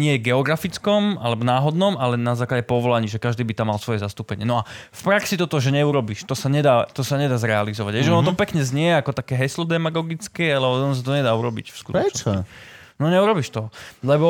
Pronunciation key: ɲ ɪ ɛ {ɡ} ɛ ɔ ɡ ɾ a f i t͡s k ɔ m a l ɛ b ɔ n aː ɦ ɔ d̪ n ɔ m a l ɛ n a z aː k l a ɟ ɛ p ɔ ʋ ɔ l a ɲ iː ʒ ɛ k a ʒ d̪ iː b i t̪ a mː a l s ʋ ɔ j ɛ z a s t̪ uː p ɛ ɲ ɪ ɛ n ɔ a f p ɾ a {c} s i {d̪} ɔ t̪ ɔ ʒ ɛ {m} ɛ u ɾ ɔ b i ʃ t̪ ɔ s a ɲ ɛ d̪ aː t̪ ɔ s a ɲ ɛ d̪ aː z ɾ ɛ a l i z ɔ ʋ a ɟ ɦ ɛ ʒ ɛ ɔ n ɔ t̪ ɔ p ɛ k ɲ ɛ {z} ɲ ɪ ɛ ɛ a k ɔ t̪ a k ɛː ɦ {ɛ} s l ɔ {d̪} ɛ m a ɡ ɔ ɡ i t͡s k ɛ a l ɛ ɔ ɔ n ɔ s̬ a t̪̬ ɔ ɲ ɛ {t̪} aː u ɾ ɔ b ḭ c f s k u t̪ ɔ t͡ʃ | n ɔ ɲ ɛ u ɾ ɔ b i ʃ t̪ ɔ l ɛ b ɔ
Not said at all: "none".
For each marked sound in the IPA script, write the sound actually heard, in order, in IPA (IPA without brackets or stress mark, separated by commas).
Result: ɡ, k, t̪, ɲ, z, ɛ, d̪, d̪